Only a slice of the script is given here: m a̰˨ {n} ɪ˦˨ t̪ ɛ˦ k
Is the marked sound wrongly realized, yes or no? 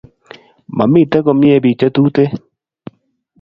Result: yes